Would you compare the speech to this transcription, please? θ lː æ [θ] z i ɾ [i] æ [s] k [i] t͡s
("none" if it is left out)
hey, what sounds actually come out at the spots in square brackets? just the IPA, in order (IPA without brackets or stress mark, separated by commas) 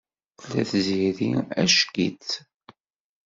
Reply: θ, i, ʃ, i